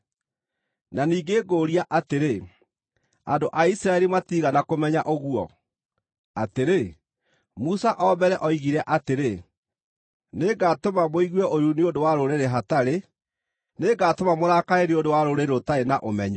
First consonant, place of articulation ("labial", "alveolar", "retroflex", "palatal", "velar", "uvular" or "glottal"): alveolar